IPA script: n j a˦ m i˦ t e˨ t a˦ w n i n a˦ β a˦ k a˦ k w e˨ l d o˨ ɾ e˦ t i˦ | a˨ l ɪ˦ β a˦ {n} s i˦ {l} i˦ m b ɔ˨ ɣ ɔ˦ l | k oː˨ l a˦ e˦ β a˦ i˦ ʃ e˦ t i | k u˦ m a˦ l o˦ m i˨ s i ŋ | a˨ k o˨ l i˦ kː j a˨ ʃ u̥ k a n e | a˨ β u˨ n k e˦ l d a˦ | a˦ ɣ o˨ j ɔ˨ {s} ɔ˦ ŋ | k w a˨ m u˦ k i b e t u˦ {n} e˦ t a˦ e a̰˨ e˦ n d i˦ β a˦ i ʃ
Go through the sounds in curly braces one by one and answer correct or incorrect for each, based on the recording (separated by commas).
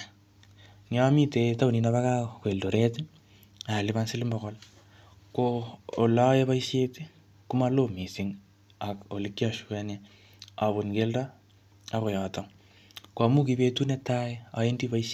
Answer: correct, correct, incorrect, correct